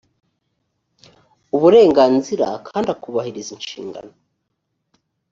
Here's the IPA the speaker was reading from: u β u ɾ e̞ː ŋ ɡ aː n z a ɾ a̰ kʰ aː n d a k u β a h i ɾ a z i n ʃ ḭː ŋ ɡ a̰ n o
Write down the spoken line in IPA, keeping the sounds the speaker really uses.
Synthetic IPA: u β u ɾ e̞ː ŋ ɡ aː n z i ɾ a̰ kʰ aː n d a k u β a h i ɾ i z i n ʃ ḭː ŋ ɡ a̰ n o